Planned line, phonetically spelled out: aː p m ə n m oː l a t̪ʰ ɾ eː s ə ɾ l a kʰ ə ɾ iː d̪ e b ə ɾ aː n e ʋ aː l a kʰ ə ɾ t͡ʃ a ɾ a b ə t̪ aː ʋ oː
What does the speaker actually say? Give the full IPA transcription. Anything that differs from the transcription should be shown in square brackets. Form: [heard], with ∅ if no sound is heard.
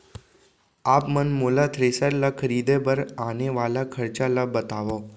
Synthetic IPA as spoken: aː p m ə n m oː l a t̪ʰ ɾ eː s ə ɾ l a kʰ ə ɾ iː d̪ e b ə ɾ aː n e ʋ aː l a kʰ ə ɾ t͡ʃ a [l] a b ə t̪ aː ʋ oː